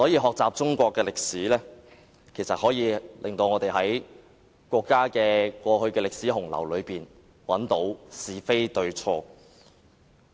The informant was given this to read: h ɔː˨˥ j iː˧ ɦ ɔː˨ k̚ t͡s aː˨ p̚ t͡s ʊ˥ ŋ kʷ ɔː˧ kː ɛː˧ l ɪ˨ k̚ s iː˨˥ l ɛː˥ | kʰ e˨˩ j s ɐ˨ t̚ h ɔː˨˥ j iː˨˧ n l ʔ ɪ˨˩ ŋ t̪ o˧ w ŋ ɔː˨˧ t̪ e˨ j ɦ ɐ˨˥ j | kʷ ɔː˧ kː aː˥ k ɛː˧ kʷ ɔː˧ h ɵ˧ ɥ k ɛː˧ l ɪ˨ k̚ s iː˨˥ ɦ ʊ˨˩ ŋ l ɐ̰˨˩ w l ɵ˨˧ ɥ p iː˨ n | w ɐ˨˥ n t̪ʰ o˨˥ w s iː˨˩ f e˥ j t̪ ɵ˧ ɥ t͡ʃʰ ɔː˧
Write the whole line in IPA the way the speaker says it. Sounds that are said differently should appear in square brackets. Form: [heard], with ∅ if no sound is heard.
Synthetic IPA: [s] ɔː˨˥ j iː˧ ɦ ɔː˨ k̚ t͡s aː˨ p̚ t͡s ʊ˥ ŋ kʷ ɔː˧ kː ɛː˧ l ɪ˨ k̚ s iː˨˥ l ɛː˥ | kʰ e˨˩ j s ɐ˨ t̚ h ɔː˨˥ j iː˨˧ [∅] l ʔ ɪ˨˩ ŋ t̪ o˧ w ŋ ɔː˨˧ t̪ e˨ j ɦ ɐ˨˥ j | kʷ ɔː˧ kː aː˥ k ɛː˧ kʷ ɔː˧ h ɵ˧ ɥ k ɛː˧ l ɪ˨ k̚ s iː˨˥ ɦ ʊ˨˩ ŋ l ɐ̰˨˩ w l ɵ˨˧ ɥ p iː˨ n | w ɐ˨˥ n [t̪] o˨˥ w s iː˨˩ f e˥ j t̪ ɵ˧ ɥ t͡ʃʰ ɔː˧

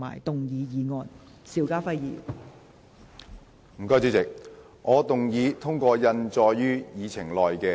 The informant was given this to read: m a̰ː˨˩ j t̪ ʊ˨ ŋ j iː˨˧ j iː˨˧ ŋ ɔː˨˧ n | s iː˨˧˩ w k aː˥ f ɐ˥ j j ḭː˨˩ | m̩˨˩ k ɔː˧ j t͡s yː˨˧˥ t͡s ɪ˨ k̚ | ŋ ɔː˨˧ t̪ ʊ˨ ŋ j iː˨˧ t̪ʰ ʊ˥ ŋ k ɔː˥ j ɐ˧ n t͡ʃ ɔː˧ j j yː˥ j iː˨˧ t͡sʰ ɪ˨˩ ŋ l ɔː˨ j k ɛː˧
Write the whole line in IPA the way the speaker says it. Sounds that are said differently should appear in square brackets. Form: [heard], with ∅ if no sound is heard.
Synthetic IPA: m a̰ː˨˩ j t̪ ʊ˨ ŋ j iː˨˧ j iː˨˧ ŋ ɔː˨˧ n | s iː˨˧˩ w k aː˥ f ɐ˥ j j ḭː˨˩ | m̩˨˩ k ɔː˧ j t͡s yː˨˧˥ t͡s ɪ˨ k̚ | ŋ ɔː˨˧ t̪ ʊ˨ ŋ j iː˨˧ t̪ʰ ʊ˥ ŋ k [ɔː˧] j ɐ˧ n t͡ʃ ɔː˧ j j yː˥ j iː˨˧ t͡sʰ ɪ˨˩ ŋ l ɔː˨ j k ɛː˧

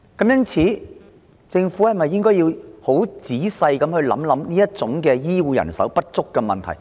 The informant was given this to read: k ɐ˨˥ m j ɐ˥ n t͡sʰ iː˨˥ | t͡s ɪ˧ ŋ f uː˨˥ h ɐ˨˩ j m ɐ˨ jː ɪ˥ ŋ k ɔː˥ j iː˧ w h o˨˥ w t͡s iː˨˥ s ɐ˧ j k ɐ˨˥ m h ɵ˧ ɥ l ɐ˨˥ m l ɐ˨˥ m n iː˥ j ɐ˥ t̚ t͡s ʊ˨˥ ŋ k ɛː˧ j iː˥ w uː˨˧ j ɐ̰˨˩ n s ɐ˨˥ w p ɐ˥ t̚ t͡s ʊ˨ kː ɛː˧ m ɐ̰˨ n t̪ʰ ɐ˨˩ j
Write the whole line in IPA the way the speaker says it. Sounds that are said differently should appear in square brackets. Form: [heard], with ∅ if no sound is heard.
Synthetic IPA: k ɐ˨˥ m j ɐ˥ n t͡sʰ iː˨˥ | t͡s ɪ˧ ŋ f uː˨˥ h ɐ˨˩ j m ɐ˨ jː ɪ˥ ŋ k ɔː˥ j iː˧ w h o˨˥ w t͡s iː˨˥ s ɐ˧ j k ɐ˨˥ m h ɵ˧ ɥ l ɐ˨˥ m l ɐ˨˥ m n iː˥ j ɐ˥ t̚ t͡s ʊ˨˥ ŋ k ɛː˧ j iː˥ w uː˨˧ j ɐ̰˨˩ n s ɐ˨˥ w p ɐ˥ t̚ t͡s [ʊ˥] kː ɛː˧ m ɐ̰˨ n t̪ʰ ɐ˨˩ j

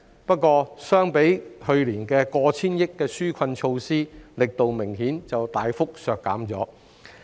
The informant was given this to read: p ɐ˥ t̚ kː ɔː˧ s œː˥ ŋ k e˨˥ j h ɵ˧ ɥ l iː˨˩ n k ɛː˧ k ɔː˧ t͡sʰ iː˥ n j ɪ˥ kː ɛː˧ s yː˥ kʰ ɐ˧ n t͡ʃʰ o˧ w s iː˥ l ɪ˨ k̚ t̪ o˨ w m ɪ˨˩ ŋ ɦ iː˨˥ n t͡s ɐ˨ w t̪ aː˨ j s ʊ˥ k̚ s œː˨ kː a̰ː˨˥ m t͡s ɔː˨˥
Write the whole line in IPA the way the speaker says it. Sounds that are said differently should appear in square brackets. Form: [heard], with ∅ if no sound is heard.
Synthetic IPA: p ɐ˥ t̚ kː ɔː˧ s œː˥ ŋ [p] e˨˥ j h ɵ˧ ɥ l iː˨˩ n k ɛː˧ k ɔː˧ t͡sʰ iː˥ n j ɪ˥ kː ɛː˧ s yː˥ kʰ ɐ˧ n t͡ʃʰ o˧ w s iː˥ l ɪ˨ k̚ t̪ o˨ w m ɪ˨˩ ŋ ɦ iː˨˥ n t͡s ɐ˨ w t̪ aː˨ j [f] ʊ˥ k̚ s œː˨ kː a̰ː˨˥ m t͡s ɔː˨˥

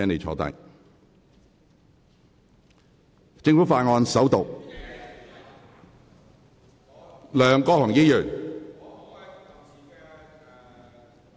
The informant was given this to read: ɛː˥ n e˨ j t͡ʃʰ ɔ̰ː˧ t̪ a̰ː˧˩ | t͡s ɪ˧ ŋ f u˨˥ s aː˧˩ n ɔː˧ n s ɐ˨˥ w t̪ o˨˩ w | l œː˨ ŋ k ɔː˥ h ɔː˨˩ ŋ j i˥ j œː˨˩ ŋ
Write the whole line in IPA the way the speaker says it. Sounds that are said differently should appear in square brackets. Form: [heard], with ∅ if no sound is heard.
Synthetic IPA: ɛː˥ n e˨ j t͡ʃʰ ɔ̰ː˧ t̪ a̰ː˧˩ | t͡s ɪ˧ ŋ f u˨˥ [f] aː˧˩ [ŋ] ɔː˧ n s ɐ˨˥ w t̪ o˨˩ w | l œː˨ ŋ k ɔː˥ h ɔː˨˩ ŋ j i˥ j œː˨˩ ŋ

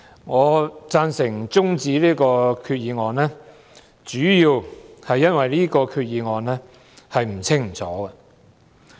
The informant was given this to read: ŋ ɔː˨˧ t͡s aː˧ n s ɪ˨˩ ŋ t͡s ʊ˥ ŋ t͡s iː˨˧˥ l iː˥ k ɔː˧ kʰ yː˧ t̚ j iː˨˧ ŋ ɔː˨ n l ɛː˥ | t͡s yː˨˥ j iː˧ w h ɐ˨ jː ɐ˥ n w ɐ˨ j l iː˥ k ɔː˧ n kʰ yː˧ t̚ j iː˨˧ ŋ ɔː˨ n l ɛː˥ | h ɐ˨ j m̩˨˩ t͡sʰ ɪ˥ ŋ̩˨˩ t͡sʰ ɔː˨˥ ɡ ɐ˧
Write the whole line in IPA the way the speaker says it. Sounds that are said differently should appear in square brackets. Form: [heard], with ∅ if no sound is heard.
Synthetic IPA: ŋ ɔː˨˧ t͡s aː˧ n s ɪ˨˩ ŋ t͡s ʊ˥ ŋ t͡s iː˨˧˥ l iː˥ k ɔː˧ kʰ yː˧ t̚ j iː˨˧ ŋ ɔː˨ n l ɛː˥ | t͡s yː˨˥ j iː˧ w h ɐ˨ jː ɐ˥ n w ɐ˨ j l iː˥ k ɔː˧ [∅] kʰ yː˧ t̚ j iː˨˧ ŋ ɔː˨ n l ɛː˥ | h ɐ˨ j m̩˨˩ t͡sʰ ɪ˥ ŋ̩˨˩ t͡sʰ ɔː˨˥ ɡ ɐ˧

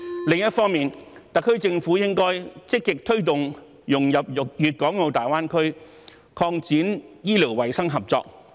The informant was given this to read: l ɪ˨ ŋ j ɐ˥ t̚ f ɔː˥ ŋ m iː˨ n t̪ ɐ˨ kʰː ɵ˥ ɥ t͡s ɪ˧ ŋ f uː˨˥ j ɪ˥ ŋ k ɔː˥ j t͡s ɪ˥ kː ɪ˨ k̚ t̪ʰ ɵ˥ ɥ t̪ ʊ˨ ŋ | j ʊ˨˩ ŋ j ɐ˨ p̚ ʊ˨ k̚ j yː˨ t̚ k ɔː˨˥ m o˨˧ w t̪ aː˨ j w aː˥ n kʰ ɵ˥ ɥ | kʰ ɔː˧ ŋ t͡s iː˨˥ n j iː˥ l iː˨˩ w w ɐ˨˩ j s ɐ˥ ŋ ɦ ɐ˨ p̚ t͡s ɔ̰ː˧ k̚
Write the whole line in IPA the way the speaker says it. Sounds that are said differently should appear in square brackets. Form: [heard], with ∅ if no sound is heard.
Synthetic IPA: l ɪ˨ ŋ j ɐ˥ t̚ f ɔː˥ ŋ m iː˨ n t̪ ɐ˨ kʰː ɵ˥ ɥ t͡s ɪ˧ ŋ f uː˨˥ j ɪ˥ ŋ k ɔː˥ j t͡s ɪ˥ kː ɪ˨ k̚ t̪ʰ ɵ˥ ɥ t̪ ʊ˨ ŋ | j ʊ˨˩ ŋ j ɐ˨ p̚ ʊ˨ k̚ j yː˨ t̚ k ɔː˨˥ [ŋ] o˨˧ w t̪ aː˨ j w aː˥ n kʰ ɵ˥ ɥ | kʰ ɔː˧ ŋ t͡s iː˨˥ n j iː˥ l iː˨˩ w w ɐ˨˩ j s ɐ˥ ŋ ɦ ɐ˨ p̚ t͡s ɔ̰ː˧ k̚

